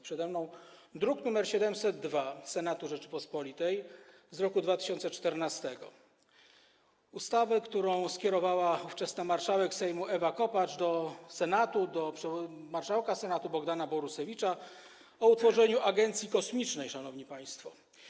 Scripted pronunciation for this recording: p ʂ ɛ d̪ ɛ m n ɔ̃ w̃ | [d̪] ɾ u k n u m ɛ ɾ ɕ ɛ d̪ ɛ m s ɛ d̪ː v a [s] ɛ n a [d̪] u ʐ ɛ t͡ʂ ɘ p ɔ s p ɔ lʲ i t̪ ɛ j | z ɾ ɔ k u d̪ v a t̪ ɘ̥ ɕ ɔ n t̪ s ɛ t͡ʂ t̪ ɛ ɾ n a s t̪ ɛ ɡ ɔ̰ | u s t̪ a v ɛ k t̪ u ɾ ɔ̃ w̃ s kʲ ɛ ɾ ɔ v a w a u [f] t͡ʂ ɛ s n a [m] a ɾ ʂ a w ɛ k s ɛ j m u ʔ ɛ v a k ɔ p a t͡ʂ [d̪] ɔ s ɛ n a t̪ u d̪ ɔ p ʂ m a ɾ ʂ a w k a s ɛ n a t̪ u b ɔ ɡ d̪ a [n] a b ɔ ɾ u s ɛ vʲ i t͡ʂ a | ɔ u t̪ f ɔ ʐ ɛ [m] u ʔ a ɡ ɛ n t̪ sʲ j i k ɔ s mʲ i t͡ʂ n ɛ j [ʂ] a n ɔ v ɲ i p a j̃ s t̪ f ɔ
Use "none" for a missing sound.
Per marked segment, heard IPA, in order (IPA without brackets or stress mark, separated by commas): d̪, s, t̪, f, m, d̪, n, ɲ, ʂ